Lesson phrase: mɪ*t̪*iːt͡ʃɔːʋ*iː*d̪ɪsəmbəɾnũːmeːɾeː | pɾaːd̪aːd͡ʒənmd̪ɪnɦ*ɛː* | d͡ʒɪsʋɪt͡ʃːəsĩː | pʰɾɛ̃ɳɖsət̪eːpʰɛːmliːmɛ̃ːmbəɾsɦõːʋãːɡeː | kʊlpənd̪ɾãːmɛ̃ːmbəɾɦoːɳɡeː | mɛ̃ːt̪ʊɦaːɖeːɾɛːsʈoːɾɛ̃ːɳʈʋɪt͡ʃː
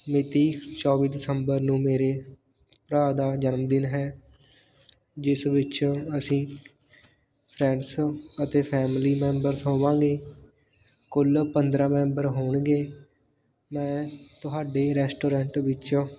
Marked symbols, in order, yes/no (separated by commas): yes, yes, yes